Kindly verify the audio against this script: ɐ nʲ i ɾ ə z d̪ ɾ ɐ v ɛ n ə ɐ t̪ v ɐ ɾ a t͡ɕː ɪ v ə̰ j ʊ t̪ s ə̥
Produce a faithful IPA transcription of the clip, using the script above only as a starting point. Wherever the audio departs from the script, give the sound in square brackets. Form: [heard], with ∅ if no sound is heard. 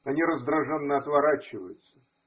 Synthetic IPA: ɐ nʲ i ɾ ə z d̪ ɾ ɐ [ʐ] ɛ [nː] ə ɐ t̪ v ɐ ɾ a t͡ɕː ɪ v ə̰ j ʊ t̪ s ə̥